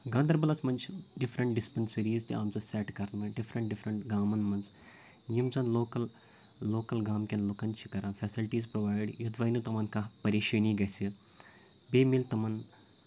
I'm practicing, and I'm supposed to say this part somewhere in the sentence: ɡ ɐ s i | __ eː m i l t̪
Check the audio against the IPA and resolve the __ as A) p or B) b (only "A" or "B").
B